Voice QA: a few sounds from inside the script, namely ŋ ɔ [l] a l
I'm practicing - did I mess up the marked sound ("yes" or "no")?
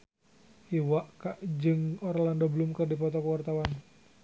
yes